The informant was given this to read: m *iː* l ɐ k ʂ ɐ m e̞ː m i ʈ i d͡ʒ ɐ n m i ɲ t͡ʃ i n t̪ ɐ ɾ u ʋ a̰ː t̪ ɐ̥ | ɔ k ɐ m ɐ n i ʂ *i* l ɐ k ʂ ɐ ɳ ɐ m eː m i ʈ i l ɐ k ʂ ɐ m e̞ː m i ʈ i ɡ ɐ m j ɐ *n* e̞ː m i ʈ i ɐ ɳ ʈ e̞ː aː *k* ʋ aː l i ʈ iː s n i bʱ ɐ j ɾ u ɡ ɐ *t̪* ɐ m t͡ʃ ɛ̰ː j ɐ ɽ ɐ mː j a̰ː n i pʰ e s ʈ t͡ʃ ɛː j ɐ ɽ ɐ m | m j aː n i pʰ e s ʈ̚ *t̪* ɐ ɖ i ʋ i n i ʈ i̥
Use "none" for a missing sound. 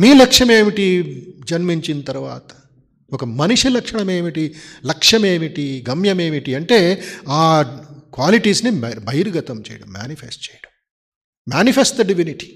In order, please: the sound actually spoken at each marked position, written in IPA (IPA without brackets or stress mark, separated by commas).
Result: iː, i, m, k, t̪, d̪